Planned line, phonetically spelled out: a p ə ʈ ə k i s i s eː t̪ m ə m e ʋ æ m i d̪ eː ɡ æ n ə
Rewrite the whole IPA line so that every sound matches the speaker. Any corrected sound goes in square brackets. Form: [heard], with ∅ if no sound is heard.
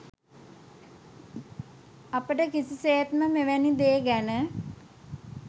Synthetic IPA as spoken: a p ə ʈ ə k i s i s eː t̪ m ə m e ʋ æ [n] i d̪ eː ɡ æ n ə